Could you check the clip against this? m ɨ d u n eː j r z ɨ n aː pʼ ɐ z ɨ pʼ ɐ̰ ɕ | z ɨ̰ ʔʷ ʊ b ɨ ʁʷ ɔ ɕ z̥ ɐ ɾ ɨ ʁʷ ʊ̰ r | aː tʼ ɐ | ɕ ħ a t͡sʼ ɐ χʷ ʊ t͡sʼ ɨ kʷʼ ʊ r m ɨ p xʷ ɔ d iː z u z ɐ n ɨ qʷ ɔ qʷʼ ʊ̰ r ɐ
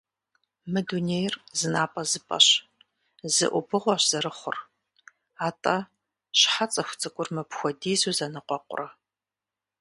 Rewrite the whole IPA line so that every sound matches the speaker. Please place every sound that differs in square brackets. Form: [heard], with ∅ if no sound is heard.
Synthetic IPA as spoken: m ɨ d u n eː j r z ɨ n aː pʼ ɐ z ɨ pʼ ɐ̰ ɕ | z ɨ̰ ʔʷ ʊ b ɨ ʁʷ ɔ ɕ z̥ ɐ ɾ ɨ [χʷ] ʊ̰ r | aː tʼ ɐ | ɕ ħ a t͡sʼ ɐ [xʷ] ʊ t͡sʼ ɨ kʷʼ ʊ r m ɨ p xʷ ɔ d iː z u z ɐ n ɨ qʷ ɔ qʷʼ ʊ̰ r ɐ